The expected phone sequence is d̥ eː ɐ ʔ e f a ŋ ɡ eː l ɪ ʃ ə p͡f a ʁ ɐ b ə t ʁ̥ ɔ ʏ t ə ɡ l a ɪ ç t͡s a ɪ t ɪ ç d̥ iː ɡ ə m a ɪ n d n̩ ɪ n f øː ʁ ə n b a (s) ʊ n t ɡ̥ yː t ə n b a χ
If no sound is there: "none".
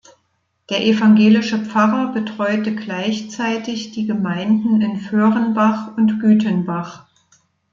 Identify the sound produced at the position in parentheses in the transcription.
χ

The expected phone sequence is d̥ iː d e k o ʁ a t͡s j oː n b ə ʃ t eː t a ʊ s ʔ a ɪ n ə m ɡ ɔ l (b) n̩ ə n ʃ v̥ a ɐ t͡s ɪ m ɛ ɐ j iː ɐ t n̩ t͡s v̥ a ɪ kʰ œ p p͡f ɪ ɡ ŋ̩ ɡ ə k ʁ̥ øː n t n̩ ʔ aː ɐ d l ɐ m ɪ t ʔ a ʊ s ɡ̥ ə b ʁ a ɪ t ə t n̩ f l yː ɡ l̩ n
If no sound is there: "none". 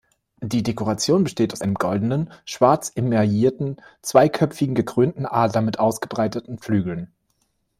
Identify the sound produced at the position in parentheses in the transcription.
d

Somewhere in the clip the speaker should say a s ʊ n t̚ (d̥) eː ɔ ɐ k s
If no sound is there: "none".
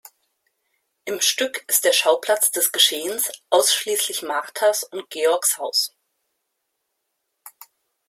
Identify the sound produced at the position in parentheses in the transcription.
ɡ̥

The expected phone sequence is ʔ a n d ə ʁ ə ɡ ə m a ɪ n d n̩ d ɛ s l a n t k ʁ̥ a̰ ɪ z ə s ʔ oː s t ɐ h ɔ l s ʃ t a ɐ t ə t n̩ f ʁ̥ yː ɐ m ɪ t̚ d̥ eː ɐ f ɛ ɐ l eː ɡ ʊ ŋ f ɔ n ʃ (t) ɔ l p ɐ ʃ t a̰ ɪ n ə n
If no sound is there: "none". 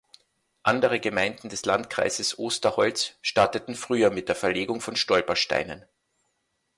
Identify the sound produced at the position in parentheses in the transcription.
t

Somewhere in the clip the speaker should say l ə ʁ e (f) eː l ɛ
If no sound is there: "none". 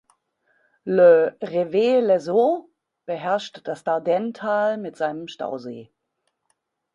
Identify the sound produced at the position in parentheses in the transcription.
v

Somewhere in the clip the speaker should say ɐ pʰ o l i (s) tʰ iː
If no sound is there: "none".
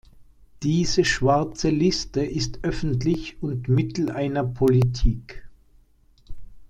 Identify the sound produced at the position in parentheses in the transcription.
none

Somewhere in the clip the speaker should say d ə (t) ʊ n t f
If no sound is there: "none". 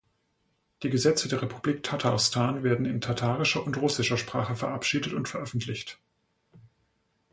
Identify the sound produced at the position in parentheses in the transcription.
t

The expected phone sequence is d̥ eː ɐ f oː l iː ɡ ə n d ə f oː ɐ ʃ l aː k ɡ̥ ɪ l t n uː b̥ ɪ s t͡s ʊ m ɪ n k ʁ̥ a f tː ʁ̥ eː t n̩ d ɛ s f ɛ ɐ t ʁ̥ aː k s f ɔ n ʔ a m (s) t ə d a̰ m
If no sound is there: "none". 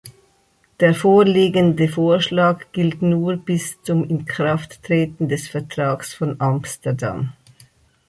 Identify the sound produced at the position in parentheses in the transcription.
s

